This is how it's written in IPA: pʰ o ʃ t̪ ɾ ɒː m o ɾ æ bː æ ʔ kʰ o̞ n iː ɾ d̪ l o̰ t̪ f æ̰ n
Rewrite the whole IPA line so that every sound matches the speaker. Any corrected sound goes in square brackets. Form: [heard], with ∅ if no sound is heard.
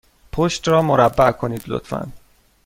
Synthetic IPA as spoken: pʰ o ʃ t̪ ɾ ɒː m o ɾ æ bː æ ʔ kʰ o̞ n iː [∅] d̪ l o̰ t̪ f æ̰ n